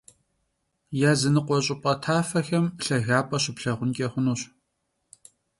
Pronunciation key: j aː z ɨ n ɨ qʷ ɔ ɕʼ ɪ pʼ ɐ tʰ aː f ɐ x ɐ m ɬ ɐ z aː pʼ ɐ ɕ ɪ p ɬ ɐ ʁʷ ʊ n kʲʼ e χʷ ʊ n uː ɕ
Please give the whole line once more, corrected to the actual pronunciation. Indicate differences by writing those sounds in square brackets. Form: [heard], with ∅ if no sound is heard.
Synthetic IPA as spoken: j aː z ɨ n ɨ qʷ ɔ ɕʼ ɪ pʼ ɐ tʰ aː f ɐ x ɐ m ɬ ɐ [ɣ] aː pʼ ɐ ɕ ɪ p ɬ ɐ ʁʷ ʊ n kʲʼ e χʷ ʊ n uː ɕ